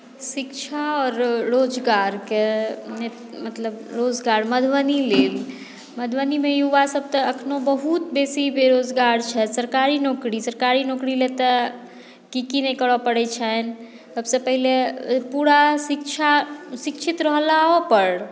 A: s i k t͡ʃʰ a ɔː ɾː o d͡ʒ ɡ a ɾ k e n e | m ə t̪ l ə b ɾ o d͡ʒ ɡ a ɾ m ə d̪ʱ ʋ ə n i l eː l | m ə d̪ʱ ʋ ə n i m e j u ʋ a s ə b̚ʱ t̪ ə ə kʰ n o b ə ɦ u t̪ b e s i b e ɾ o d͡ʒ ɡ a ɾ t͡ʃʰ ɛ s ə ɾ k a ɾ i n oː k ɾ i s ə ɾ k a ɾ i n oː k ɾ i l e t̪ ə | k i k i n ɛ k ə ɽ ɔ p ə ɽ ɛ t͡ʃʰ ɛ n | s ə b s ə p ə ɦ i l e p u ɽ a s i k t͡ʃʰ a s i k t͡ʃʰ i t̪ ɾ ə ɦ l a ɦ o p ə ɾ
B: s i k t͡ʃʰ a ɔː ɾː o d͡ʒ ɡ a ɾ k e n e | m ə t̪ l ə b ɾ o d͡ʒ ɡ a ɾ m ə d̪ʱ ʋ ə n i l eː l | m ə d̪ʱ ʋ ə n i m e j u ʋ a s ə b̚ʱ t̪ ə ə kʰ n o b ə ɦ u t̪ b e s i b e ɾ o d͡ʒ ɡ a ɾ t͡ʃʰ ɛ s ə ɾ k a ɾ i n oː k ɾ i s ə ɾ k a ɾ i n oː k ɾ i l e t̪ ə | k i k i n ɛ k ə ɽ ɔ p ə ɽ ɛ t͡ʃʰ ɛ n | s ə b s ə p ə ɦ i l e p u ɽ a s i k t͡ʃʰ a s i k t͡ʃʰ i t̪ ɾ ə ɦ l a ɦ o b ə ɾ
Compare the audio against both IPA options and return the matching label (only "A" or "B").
A